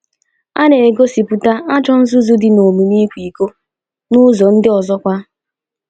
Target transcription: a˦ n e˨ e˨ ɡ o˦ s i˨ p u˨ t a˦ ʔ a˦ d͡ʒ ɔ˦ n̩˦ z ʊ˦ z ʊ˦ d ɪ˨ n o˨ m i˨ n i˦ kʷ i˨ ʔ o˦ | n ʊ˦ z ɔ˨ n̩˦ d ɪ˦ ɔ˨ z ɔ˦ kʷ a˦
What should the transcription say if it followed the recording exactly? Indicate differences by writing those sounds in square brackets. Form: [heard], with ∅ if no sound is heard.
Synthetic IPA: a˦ n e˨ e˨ ɡ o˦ s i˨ p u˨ t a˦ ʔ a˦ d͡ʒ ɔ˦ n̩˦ z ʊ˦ z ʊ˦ d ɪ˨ n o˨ m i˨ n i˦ kʷ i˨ [k] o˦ | n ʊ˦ z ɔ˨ n̩˦ d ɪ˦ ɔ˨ z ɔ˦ kʷ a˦